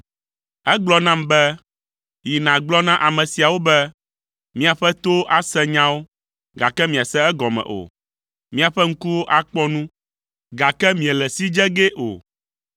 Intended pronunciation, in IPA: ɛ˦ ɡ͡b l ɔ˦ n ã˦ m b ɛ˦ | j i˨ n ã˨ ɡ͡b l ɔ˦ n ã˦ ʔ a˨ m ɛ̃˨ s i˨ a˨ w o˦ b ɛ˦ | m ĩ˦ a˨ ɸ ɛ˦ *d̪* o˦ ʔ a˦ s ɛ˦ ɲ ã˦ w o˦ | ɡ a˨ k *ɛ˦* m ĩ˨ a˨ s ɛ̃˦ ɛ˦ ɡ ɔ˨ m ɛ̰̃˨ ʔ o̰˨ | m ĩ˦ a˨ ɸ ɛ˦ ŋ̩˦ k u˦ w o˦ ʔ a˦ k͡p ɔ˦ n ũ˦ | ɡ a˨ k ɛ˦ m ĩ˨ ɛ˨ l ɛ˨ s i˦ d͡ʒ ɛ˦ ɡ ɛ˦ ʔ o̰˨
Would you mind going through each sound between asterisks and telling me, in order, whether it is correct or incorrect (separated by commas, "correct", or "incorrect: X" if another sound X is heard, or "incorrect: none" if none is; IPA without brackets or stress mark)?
incorrect: t̪, correct